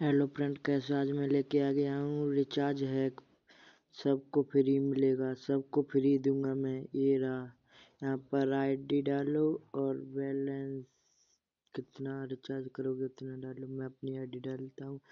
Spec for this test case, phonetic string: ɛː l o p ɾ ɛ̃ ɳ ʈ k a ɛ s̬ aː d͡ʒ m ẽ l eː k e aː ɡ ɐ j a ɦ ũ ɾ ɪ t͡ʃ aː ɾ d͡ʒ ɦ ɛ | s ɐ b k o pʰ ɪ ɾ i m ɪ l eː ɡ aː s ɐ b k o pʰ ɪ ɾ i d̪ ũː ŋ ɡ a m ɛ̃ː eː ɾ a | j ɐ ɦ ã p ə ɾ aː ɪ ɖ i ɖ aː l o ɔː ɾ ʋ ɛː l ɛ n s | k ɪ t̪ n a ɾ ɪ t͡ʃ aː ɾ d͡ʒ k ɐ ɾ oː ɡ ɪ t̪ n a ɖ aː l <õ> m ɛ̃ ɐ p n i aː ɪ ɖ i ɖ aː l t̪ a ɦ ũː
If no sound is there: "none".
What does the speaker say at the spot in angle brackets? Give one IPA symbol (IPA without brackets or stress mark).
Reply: o